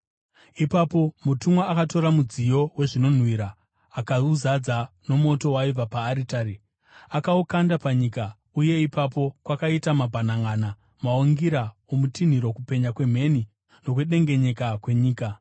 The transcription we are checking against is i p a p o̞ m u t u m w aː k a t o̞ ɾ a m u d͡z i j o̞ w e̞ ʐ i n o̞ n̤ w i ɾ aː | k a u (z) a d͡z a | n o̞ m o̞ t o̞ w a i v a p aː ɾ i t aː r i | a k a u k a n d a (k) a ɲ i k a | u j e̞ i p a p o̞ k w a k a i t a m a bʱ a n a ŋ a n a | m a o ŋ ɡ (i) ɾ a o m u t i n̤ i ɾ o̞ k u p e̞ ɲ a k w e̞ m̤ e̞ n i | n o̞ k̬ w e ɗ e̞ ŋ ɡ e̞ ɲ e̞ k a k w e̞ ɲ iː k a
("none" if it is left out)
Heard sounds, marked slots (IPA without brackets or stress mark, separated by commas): z, p, i